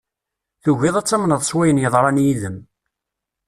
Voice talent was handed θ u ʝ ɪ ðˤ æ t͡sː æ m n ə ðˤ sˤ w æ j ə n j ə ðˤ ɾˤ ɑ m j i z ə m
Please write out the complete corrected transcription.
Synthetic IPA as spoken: θ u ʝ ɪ ðˤ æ t͡sː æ m n ə ðˤ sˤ w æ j ə n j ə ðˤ ɾˤ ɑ n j i ð ə m